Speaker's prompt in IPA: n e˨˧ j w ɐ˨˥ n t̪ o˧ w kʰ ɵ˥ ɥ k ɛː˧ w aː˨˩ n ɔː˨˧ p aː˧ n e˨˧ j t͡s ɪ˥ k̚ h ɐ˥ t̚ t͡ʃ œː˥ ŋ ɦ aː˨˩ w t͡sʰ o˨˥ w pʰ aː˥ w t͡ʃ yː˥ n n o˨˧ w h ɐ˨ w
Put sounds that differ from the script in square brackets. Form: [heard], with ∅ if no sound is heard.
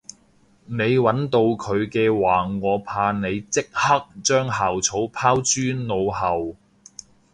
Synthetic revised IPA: n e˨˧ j w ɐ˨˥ n t̪ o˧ w kʰ [ɵ˨˧] ɥ k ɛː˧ w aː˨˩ [ŋ] ɔː˨˧ [pʰ] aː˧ n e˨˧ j t͡s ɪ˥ k̚ h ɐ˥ [k̚] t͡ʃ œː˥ ŋ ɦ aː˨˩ w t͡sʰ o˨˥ w pʰ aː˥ w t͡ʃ yː˥ n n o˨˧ w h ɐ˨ w